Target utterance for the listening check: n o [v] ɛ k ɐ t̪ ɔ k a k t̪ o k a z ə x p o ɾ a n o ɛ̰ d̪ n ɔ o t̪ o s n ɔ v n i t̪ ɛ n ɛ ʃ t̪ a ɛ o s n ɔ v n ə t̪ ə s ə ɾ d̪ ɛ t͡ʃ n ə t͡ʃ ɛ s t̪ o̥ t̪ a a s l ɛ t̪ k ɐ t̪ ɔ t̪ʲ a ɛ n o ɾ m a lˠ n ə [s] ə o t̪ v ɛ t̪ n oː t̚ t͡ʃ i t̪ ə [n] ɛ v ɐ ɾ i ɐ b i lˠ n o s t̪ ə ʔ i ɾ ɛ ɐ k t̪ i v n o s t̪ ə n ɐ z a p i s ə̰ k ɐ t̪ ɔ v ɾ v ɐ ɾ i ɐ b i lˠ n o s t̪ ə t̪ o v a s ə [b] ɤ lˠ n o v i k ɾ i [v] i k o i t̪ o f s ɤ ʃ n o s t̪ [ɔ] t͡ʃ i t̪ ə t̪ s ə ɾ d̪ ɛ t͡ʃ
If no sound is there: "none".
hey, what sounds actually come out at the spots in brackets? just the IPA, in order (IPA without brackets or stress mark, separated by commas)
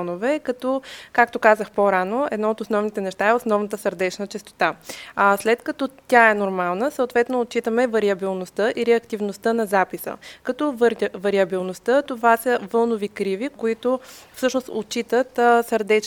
v, s, m, v, v, o